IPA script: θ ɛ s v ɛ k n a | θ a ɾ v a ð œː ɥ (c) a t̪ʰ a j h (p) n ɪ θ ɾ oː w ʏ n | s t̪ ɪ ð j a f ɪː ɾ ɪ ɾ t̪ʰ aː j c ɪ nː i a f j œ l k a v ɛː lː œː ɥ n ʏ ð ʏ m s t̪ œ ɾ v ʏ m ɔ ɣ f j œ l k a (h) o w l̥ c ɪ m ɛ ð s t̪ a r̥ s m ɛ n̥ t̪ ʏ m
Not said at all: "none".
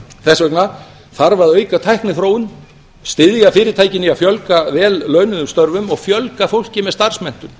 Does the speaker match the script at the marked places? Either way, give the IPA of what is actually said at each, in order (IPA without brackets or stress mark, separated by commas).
k, k, f